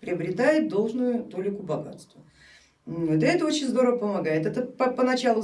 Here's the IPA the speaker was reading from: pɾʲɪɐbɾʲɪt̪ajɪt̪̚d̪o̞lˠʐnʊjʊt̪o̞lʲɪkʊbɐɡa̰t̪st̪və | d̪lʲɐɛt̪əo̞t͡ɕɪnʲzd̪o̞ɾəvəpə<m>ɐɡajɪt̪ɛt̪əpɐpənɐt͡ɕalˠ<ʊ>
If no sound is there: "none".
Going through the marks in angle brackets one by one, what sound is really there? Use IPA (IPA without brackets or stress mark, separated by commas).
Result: m, ʊ